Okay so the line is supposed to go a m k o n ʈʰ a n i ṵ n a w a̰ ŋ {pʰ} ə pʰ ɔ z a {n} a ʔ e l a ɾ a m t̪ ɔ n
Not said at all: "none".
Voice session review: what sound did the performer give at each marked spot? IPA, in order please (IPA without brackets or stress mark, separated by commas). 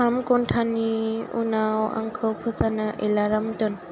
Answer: kʰ, n